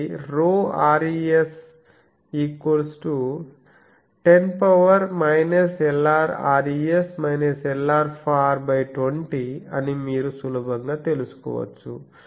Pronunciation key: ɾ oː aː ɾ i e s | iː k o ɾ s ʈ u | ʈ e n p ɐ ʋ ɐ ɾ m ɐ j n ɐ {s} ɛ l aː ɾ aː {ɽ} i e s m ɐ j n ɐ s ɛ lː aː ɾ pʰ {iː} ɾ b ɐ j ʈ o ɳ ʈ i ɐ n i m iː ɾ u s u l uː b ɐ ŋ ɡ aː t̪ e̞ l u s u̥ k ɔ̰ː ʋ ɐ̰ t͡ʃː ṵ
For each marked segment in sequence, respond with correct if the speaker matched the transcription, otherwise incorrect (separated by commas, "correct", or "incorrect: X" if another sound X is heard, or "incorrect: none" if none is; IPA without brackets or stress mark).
correct, incorrect: ɾ, incorrect: aː